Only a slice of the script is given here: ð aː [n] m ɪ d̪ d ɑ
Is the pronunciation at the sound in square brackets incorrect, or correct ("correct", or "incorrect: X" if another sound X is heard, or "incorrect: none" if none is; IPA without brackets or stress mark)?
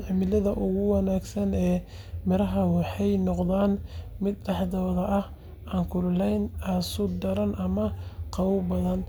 correct